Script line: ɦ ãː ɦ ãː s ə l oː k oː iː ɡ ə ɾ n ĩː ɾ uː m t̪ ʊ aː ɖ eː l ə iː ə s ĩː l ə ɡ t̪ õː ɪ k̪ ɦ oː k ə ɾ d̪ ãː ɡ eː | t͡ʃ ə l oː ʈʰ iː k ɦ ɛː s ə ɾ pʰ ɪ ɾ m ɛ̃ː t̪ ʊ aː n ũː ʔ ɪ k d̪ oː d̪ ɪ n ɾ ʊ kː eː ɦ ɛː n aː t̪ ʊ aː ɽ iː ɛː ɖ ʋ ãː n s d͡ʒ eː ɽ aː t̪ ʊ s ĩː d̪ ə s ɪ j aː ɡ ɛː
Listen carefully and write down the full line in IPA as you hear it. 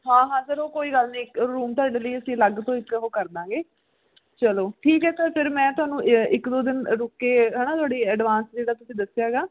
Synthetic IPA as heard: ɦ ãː ɦ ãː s ə ɾ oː k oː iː ɡ ə l n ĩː ɾ uː m t̪ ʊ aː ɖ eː l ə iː ə s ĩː l ə ɡ t̪ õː ɪ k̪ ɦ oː k ə ɾ d̪ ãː ɡ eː | t͡ʃ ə l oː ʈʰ iː k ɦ ɛː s ə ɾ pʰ ɪ ɾ m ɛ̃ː t̪ ʊ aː n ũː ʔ ɪ k d̪ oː d̪ ɪ n ɾ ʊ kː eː ɦ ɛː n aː t̪ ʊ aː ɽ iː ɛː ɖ ʋ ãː n s d͡ʒ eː ɽ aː t̪ ʊ s ĩː d̪ ə s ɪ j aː ɡ aː

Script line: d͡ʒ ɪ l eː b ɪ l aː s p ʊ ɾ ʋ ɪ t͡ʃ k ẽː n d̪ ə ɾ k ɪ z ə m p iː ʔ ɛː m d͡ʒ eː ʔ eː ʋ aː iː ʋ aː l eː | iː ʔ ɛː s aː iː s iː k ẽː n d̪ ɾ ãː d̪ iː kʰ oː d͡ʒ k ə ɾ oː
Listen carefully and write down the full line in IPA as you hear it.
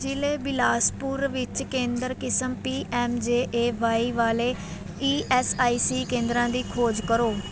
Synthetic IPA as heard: d͡ʒ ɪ l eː b ɪ l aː s p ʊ ɾ ʋ ɪ t͡ʃ k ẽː n d̪ ə ɾ k ɪ s ə m p iː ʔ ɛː m d͡ʒ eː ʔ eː ʋ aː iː ʋ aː l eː | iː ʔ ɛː s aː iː s iː k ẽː n d̪ ɾ ãː d̪ iː kʰ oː d͡ʒ k ə ɾ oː

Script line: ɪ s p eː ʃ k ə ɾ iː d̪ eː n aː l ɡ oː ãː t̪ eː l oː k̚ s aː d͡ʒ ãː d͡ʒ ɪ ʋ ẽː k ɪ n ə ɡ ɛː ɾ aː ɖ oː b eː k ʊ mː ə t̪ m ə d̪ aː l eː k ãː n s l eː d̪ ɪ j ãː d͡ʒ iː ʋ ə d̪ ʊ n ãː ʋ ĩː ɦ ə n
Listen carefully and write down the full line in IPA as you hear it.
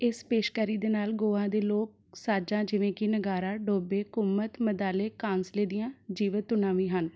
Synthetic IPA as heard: ɪ s p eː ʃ k ə ɾ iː d̪ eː n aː l ɡ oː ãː d̪ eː l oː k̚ s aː d͡ʒ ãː d͡ʒ ɪ ʋ ẽː k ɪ n ə ɡ aː ɾ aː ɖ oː b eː k ʊ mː ə t̪ m ə d̪ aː l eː k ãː n s l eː d̪ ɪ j ãː d͡ʒ iː ʋ ə t̪ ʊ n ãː ʋ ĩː ɦ ə n

